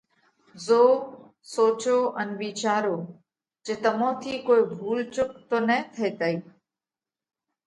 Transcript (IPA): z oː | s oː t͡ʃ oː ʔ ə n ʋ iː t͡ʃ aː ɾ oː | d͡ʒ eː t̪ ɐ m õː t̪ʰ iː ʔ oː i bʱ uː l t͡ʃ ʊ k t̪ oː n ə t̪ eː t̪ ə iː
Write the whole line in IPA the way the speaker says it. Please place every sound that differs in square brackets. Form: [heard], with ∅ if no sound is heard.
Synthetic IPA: z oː | s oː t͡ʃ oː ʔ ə n ʋ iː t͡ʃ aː ɾ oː | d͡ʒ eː t̪ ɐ m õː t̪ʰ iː [k] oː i bʱ uː l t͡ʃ ʊ k t̪ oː n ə [t̪ʰ] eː t̪ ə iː

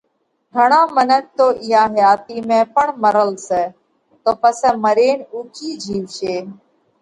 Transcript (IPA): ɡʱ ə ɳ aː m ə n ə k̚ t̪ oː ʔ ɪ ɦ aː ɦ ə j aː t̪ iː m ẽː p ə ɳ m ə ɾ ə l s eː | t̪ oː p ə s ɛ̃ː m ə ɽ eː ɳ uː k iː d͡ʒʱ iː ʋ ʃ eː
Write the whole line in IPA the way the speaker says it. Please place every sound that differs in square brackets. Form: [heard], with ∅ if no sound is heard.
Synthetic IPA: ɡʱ ə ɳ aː m ə n ə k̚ t̪ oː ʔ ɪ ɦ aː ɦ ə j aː t̪ iː m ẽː p ə ɳ m ə ɾ ə l s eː | t̪ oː p ə s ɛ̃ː m ə [ɾ] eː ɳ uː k iː d͡ʒʱ iː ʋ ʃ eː

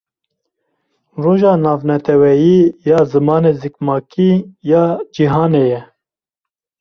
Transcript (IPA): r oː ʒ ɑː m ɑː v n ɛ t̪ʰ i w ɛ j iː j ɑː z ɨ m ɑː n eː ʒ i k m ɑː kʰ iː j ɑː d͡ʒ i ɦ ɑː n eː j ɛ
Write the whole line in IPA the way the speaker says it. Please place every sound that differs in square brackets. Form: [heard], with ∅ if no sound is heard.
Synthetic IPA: r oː ʒ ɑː [n] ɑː v n ɛ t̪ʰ [ɛ] w ɛ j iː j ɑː z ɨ m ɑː n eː [z] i k m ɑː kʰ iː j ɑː d͡ʒ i ɦ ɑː n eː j ɛ

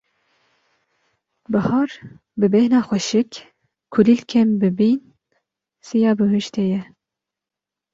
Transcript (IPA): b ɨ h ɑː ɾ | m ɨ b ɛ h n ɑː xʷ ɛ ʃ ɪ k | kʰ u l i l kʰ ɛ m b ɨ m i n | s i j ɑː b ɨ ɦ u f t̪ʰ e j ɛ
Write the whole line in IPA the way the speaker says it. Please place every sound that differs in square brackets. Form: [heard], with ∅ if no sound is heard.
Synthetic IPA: b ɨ h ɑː ɾ | [b] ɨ b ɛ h n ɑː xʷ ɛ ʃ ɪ k | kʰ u l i l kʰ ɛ m b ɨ [b] i n | s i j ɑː b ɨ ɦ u [ʃ] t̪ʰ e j ɛ

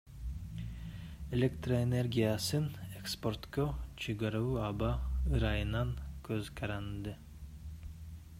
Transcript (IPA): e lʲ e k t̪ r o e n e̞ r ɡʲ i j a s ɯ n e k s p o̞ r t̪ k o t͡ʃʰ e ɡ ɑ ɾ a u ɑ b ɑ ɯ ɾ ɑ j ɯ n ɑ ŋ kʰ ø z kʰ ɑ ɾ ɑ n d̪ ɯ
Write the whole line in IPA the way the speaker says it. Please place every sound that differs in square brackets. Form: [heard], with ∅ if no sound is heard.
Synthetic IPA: e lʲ e k t̪ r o e n e̞ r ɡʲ i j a s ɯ n e k s p o̞ r t̪ k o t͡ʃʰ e ɡ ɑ ɾ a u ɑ b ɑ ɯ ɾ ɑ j ɯ n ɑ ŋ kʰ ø z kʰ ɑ ɾ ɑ n d̪ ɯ

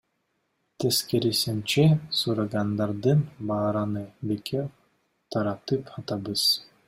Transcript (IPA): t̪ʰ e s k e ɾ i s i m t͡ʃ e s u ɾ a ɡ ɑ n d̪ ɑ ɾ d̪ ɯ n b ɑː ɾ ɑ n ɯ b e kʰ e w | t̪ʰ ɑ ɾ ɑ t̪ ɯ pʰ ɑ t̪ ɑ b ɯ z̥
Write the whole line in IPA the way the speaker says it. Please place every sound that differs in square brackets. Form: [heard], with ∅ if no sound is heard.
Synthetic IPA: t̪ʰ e s k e ɾ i s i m t͡ʃ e s u ɾ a ɡ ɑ n d̪ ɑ ɾ d̪ ɯ n b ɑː ɾ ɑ n ɯ b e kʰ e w | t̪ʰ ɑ ɾ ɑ t̪ ɯ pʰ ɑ t̪ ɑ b ɯ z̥

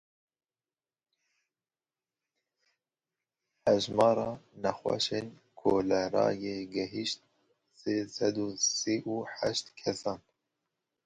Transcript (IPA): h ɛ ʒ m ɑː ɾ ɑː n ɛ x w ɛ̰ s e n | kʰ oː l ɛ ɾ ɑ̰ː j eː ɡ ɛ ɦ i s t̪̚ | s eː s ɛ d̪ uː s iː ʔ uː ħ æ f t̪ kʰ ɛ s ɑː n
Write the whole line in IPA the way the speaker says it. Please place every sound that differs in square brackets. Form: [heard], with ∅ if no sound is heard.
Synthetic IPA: h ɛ ʒ m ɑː ɾ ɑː n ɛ x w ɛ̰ [ʃ] e n | kʰ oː l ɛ ɾ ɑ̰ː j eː ɡ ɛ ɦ i [ʃ] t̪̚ | s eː s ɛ d̪ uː s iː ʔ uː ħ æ [ʃ] t̪ kʰ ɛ s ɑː n

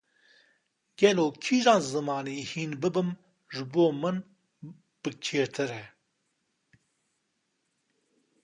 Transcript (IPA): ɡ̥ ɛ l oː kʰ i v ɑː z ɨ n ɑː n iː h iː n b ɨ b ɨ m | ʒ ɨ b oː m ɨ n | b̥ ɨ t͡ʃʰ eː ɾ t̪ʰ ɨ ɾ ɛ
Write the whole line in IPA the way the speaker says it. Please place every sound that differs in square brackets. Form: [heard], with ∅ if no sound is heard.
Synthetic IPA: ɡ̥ ɛ l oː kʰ i [ʒ] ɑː z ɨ [m] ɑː n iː h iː n b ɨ b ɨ m | ʒ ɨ b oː m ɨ n | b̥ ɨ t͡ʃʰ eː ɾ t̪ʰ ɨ ɾ ɛ

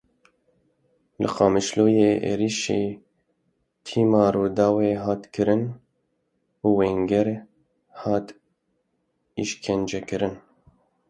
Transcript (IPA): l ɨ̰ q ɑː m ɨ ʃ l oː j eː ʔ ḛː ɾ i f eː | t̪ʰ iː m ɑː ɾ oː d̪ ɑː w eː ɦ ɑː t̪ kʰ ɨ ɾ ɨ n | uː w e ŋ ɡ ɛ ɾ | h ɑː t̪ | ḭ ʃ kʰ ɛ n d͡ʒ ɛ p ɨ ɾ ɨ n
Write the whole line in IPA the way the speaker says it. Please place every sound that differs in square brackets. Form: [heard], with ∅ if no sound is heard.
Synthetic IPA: l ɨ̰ q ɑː m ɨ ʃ l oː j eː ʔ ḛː ɾ i [ʃ] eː | t̪ʰ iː m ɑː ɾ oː d̪ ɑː w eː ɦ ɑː t̪ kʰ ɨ ɾ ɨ n | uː w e ŋ ɡ ɛ ɾ | h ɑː t̪ | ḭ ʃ kʰ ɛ n d͡ʒ ɛ [k] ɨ ɾ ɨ n

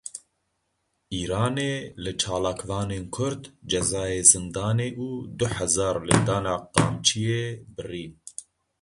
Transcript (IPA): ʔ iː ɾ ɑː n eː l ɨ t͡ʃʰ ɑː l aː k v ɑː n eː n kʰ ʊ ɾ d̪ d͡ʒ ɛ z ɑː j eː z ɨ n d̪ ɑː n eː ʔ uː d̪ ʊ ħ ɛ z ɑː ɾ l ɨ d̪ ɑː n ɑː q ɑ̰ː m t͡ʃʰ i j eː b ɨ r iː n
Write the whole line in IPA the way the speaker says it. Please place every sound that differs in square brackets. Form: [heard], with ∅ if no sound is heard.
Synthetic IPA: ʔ iː ɾ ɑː n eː l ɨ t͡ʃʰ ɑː l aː k v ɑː n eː n kʰ ʊ ɾ d̪ d͡ʒ ɛ z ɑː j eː z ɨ n d̪ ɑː n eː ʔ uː d̪ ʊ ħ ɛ z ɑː ɾ l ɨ d̪ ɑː n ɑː q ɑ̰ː m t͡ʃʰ i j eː b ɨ r iː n

